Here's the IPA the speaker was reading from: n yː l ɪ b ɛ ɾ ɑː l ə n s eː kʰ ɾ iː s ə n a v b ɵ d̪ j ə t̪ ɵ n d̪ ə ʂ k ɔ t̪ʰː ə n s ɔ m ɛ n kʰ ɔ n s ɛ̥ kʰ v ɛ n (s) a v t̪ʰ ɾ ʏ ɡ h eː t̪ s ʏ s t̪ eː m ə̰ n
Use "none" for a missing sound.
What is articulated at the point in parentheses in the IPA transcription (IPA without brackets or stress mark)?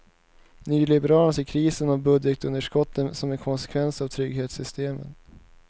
s